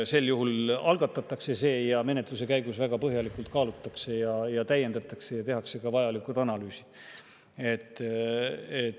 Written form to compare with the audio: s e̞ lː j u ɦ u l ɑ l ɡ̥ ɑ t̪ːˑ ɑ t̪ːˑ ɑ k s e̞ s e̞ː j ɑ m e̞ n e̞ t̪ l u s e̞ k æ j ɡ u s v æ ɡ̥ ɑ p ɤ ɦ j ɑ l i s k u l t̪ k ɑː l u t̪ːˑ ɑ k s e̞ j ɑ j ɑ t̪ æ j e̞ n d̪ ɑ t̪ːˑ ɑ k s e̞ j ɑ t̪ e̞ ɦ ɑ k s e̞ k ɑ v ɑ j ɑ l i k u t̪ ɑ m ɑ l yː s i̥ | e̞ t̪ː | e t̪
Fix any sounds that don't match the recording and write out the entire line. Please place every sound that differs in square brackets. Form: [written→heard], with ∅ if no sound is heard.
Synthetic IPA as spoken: s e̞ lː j u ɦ u l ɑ l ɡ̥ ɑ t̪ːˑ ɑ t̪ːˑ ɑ k s e̞ s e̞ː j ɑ m e̞ n e̞ t̪ l u s e̞ k æ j ɡ u s v æ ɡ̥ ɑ p ɤ ɦ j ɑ l i [s→∅] k u l t̪ k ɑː l u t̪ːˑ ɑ k s e̞ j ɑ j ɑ t̪ æ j e̞ n d̪ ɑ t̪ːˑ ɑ k s e̞ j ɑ t̪ e̞ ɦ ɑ k s e̞ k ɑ v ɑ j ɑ l i k u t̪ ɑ [m→n] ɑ l yː s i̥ | e̞ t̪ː | e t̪